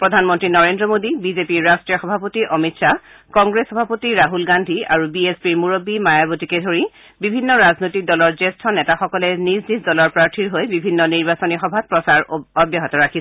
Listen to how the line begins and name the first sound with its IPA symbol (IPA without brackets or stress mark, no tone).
p